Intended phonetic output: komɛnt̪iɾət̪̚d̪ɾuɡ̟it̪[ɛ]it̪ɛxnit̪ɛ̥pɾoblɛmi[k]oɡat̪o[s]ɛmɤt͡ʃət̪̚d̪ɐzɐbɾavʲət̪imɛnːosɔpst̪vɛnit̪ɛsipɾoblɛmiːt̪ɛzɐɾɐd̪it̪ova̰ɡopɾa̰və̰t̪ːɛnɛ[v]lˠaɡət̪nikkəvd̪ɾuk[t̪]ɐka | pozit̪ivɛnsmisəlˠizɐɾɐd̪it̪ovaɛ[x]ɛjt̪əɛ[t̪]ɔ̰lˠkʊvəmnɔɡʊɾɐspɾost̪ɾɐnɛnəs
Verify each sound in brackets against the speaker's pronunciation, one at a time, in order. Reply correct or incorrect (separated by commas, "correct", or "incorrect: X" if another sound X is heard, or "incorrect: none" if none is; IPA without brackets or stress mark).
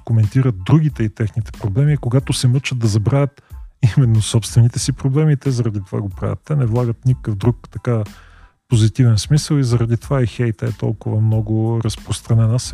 correct, correct, correct, correct, correct, correct, correct